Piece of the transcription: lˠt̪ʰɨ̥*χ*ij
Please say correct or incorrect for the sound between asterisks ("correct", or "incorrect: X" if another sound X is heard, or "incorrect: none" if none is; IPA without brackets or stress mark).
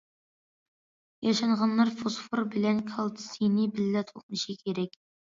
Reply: incorrect: s